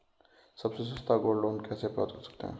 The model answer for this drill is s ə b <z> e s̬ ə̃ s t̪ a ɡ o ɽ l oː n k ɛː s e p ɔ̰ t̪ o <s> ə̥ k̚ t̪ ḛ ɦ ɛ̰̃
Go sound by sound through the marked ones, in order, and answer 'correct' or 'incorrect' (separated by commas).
incorrect, correct